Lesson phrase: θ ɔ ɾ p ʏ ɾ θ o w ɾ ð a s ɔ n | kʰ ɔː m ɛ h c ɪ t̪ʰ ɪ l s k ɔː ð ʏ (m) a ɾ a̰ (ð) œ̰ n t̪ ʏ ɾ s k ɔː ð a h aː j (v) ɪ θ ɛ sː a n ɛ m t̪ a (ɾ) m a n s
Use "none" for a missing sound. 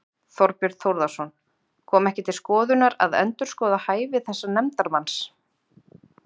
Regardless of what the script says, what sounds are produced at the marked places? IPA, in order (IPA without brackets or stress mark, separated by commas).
n, ð, v, ɾ